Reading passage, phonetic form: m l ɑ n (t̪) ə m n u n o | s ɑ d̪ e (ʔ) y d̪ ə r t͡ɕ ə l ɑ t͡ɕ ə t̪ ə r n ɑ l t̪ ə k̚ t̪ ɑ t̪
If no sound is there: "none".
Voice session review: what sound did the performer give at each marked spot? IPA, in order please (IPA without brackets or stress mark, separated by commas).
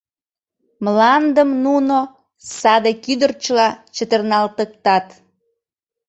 d̪, k